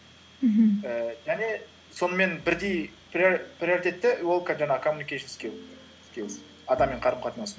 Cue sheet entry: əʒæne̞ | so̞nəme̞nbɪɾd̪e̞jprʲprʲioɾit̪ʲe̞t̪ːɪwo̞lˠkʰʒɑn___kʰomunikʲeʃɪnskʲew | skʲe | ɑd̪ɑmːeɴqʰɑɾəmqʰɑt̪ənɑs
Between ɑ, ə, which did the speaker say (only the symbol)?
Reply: ɑ